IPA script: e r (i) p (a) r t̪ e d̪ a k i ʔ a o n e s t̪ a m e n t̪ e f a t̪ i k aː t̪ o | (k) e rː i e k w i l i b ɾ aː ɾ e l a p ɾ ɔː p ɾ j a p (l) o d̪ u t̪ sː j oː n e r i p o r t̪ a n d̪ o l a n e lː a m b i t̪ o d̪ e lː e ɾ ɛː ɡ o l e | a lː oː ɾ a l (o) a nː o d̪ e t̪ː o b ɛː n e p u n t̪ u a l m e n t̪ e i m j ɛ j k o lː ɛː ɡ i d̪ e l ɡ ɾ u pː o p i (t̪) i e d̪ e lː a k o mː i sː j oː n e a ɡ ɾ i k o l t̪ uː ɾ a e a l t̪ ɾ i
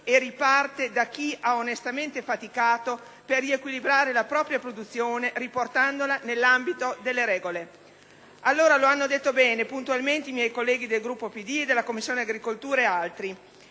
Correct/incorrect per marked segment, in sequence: correct, correct, incorrect: p, incorrect: ɾ, correct, incorrect: d̪

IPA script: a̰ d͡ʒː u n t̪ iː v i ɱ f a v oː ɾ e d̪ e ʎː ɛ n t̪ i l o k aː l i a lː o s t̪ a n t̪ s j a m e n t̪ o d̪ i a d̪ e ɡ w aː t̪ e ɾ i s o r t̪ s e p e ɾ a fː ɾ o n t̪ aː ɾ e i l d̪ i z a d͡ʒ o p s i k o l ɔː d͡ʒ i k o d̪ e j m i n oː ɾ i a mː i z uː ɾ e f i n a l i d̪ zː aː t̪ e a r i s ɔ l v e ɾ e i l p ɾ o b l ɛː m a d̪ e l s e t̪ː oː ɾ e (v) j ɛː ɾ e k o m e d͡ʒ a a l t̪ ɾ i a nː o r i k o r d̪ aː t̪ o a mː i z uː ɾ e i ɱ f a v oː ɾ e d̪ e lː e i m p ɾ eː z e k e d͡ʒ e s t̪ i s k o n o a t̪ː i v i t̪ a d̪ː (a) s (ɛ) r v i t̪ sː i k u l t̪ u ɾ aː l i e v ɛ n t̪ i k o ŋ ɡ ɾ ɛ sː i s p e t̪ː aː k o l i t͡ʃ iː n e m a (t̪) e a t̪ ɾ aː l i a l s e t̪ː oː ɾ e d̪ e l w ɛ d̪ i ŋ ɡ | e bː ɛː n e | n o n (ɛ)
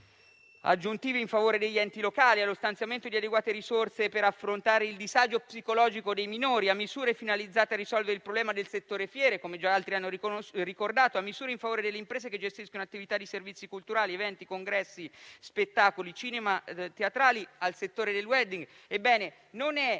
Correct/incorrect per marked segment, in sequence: incorrect: f, incorrect: i, incorrect: e, correct, correct

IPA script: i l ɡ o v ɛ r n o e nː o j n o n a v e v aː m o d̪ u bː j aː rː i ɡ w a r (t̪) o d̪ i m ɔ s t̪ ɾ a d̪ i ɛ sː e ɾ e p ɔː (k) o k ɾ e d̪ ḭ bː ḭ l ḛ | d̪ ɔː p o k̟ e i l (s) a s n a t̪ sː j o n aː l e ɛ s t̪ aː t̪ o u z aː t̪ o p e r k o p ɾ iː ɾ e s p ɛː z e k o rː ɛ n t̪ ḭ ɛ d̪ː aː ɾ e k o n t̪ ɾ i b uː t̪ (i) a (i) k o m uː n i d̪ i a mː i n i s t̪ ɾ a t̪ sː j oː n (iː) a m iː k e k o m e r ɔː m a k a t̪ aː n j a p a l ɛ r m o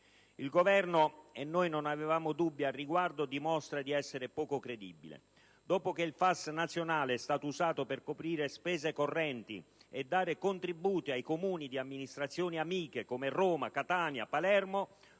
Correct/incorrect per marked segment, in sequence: incorrect: d̪, correct, incorrect: f, correct, incorrect: j, incorrect: i

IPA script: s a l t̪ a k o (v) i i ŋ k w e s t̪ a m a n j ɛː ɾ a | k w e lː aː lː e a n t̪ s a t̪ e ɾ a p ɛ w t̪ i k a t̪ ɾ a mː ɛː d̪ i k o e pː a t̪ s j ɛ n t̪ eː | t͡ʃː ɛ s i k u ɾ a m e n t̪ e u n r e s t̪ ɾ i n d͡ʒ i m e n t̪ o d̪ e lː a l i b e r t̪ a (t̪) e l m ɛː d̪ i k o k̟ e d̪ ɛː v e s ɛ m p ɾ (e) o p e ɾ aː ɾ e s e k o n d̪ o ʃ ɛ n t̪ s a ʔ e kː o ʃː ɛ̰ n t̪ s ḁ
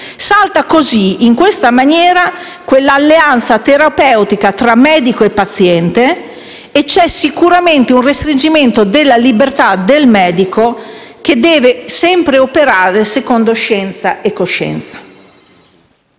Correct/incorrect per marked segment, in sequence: incorrect: z, incorrect: d̪, correct

